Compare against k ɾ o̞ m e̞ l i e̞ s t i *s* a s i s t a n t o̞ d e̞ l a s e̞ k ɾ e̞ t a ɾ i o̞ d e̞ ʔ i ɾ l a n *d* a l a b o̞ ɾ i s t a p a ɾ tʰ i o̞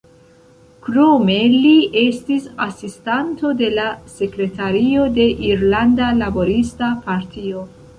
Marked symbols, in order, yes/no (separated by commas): yes, yes